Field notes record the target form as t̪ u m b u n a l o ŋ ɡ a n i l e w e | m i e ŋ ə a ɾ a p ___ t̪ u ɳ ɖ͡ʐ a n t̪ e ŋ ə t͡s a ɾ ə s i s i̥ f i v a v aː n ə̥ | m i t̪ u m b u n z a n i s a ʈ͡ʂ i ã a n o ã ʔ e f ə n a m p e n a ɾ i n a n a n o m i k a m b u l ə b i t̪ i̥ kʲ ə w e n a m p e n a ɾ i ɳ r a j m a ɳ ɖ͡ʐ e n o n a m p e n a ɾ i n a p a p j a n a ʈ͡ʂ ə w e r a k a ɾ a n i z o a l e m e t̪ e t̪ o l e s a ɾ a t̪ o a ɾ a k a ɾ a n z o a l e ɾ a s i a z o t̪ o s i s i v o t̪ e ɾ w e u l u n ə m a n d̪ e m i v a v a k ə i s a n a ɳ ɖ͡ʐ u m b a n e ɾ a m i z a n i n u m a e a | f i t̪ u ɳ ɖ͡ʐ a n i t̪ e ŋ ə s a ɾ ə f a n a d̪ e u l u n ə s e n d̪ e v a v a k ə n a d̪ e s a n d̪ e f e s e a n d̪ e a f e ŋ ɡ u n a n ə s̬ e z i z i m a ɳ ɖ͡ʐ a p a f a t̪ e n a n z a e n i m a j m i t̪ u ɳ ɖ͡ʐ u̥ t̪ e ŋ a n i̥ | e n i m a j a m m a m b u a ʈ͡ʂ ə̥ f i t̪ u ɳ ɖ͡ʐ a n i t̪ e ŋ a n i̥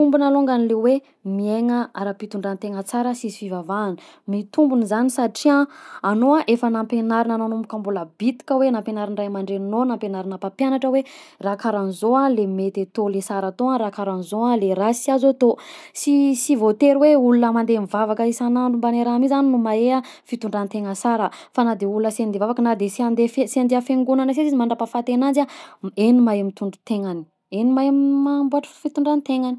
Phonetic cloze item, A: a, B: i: B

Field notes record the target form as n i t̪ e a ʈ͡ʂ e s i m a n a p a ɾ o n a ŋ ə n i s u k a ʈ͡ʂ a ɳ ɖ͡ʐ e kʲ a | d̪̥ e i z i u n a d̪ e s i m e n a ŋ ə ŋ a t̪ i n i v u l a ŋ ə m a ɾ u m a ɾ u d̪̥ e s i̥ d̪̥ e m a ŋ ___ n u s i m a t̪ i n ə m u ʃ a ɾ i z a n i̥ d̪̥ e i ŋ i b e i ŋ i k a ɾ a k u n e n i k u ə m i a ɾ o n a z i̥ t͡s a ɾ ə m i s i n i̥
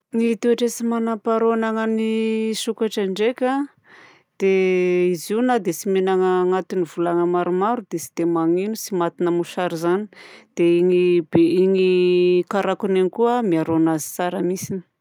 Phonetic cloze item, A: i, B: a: A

